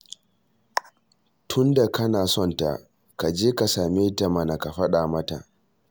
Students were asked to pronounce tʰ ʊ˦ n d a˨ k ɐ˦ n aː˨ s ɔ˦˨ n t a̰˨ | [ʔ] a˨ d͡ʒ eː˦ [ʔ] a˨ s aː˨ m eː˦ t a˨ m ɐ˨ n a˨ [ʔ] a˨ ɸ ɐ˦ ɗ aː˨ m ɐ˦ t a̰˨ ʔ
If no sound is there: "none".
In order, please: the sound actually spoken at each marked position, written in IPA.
k, k, k

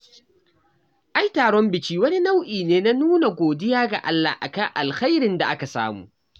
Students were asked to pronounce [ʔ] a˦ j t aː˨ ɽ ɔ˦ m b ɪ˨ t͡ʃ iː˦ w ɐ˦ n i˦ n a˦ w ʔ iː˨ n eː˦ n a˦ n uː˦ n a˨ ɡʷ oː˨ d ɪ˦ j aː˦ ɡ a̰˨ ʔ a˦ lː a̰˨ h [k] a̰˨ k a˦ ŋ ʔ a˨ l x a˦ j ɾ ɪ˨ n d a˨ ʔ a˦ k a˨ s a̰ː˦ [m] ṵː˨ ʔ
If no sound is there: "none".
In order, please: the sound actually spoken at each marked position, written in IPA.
ʔ, ʔ, m

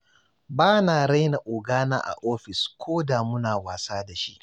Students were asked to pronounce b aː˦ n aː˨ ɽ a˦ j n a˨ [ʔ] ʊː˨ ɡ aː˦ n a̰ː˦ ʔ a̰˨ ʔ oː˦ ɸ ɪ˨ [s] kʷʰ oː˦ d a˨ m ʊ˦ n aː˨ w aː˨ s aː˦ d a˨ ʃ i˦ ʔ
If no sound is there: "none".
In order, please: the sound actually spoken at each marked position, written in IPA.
ʔ, s

